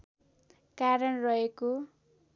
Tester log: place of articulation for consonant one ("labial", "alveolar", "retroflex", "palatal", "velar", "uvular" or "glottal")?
velar